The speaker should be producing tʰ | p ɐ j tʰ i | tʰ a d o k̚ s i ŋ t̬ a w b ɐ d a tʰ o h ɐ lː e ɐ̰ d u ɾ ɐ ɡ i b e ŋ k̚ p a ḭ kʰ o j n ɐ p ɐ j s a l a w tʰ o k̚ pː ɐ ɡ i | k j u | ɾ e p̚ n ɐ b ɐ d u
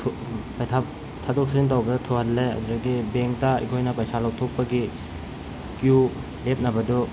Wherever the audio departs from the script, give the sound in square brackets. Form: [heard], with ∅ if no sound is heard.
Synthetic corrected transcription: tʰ | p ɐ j tʰ [a] | tʰ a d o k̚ s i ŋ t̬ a w b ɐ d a tʰ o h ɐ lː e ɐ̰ d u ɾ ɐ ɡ i b e ŋ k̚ [t] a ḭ kʰ o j n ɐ p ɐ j s a l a w tʰ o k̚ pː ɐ ɡ i | k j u | [l] e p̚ n ɐ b ɐ d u